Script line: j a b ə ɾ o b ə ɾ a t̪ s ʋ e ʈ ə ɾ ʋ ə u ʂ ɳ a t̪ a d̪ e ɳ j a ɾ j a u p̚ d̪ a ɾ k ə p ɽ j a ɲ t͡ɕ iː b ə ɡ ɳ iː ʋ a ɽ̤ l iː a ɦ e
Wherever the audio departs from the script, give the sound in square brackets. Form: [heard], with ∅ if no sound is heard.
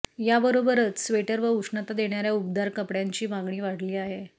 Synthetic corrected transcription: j a b ə ɾ o b ə ɾ [ə] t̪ s ʋ e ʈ ə ɾ ʋ ə u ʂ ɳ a t̪ a d̪ e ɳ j a ɾ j a u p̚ d̪ a ɾ k ə p ɽ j a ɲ t͡ɕ iː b [a] ɡ ɳ iː ʋ a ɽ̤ l iː a ɦ e